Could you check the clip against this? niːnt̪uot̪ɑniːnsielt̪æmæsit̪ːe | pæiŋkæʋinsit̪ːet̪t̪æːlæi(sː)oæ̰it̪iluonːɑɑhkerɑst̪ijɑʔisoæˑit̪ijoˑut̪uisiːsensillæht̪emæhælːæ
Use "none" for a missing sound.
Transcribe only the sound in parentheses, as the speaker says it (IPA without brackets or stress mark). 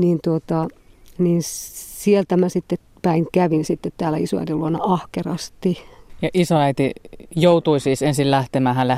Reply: s